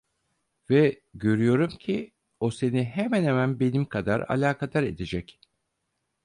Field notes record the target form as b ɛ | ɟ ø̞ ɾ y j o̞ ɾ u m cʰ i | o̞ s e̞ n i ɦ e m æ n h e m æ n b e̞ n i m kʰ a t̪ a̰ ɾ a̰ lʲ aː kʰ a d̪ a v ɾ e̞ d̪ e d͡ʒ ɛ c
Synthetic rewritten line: v ɛ | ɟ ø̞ ɾ y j o̞ ɾ u m cʰ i | o̞ s e̞ n i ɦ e m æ n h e m æ n b e̞ n i m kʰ a d̪ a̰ ɾ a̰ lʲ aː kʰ a d̪ a ɾ e̞ d̪ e d͡ʒ ɛ c